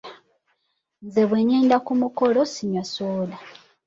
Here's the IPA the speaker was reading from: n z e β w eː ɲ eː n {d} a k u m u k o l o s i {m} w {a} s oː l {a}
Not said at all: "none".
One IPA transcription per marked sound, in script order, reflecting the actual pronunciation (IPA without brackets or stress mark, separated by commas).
d, ɲ, a, a